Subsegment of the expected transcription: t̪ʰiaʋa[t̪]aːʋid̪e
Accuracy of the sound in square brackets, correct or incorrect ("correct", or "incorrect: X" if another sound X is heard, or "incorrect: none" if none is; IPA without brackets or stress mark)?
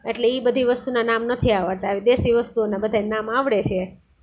correct